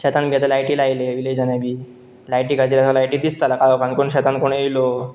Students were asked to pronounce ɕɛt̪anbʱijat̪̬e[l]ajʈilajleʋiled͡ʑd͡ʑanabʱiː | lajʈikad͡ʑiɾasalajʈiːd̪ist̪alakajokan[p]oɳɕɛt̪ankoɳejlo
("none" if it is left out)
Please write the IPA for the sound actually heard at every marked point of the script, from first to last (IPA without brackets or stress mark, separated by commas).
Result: l, k